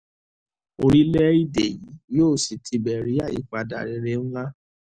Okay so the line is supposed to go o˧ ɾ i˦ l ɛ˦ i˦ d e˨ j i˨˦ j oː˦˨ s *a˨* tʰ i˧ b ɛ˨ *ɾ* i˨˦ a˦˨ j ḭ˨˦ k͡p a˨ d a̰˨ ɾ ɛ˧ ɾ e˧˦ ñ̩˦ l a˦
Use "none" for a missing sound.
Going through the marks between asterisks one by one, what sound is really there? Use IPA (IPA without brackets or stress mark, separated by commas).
i˨, ɾ